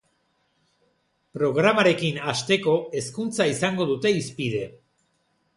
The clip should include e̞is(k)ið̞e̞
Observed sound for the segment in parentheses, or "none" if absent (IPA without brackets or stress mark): p